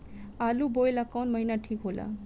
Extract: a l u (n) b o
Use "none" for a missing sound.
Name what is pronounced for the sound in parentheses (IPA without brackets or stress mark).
none